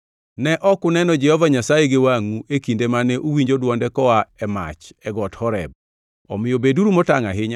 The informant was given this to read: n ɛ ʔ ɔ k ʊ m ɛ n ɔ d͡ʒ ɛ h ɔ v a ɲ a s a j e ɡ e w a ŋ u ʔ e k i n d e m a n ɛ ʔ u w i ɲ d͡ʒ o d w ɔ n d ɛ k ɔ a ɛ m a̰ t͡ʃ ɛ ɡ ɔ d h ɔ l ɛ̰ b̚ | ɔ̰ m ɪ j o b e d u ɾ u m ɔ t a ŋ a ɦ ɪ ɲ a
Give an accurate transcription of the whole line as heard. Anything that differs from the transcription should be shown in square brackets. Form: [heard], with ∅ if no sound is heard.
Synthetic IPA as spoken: n ɛ ʔ ɔ k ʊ [n] ɛ n ɔ d͡ʒ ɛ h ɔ v a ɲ a s a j e ɡ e w a ŋ u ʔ e k i n d e m a n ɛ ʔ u w i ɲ d͡ʒ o d w ɔ n d ɛ k ɔ a ɛ m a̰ t͡ʃ ɛ ɡ ɔ [t] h ɔ [ɾ] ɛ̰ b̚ | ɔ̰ m ɪ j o b e d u ɾ u m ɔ t a ŋ a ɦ ɪ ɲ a